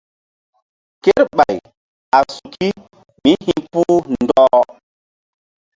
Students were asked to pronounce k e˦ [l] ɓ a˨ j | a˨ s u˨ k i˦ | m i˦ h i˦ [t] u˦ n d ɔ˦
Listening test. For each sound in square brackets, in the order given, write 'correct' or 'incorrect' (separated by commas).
incorrect, incorrect